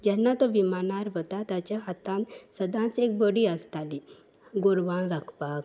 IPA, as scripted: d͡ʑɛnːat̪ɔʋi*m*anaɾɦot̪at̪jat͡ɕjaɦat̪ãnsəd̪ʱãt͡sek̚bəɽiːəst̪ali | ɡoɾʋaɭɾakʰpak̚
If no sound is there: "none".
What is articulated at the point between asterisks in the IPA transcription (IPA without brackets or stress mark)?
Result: m